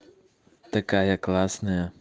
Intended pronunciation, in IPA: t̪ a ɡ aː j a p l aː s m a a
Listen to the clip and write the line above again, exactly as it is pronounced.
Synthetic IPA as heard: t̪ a k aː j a k l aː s n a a

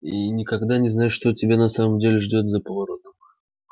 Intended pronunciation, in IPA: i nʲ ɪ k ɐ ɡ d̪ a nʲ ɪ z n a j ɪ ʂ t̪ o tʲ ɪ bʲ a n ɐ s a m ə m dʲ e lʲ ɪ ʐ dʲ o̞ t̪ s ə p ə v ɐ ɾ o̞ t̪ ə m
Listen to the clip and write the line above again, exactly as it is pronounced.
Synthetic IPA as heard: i nʲ ɪ k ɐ ɡ d̪ a nʲ ɪ z n a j ɪ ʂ t̪ o tʲ ɪ bʲ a n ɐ s a m ə m dʲ e lʲ ɪ ʐ dʲ o̞ t̪ z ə p ə v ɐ ɾ o̞ t̪ ə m

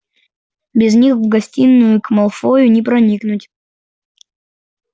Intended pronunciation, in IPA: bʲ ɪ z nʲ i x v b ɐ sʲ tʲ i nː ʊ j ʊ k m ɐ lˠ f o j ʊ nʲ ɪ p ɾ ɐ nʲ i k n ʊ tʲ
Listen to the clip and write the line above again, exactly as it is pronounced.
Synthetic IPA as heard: bʲ ɪ z nʲ i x v ɡ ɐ sʲ tʲ i nː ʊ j ʊ k m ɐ lˠ f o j ʊ nʲ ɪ p ɾ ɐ nʲ i k n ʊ tʲ

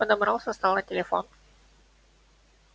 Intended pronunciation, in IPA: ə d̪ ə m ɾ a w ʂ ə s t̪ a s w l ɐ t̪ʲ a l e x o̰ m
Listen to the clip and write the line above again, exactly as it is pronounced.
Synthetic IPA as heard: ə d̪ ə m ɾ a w s ə s t̪ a w l a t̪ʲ e l e f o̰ n

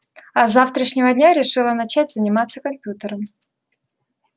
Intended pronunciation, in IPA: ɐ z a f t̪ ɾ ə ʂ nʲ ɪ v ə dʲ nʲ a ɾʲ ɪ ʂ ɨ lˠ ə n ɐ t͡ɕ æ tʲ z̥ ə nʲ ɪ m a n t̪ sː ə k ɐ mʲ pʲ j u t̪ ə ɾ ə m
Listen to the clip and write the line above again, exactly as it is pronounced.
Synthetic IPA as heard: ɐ z a f t̪ ɾ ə ʂ nʲ ɪ v ə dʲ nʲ a ɾʲ ɪ ʂ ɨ lˠ ə n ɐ t͡ɕ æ tʲ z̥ ə nʲ ɪ m a t̪ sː ə k ɐ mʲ pʲ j u t̪ ə ɾ ə m

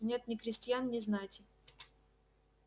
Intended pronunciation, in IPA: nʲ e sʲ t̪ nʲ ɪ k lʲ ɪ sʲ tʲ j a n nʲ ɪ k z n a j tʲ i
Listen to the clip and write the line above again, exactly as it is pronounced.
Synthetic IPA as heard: nʲ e t̪ nʲ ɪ k ɾʲ ɪ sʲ tʲ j a n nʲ ɪ z n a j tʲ ɪ

